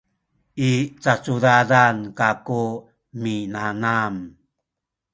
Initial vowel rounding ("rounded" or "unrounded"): unrounded